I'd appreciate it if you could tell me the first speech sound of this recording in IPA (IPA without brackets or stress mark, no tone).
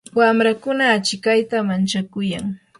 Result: w